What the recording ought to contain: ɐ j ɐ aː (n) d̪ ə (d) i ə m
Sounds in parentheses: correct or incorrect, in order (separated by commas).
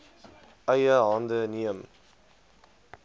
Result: correct, incorrect